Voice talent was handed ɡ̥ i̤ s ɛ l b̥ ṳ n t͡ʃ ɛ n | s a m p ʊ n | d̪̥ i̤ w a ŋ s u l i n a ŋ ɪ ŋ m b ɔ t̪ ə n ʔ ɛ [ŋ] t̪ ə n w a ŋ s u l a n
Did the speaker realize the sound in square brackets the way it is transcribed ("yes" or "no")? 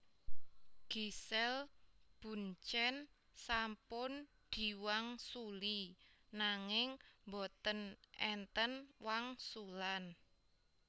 no